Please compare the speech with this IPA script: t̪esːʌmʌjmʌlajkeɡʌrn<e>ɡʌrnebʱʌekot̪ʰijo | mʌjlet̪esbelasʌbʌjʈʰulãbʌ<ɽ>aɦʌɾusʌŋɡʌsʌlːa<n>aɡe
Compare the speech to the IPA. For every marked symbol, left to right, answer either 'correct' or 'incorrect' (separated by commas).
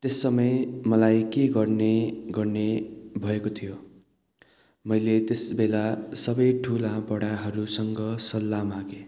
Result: correct, correct, incorrect